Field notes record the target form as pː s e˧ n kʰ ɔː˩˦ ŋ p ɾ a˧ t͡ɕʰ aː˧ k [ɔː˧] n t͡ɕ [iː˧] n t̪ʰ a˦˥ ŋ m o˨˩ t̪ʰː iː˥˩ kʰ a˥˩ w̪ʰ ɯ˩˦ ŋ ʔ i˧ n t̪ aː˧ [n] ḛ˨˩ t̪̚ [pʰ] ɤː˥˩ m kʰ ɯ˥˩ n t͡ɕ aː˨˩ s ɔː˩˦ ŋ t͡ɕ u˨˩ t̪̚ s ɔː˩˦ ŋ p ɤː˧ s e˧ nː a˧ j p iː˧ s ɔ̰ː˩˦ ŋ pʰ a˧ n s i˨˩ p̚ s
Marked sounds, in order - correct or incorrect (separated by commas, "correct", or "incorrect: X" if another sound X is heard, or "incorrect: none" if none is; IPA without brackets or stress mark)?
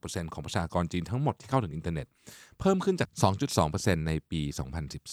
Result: correct, correct, correct, correct